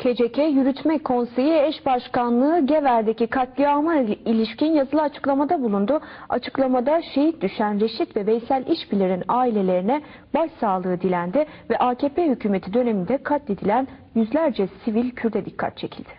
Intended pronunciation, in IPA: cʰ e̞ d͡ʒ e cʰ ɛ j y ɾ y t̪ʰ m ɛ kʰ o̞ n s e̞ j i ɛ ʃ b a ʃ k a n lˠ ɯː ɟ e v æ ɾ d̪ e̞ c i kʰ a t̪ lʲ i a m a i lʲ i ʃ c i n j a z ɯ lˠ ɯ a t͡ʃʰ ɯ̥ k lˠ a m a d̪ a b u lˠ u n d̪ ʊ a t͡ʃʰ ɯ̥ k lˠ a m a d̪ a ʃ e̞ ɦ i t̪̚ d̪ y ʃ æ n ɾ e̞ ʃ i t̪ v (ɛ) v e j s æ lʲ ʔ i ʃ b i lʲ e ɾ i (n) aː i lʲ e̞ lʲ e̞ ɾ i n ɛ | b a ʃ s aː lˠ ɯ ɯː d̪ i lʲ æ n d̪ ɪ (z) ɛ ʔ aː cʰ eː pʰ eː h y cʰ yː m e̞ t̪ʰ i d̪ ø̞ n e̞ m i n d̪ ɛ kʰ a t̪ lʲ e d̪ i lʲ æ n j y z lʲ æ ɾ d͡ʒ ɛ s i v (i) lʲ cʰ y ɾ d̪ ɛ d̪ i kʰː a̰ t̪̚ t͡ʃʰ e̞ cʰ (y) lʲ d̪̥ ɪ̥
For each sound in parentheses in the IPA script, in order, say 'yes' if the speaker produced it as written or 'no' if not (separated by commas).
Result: yes, yes, no, yes, no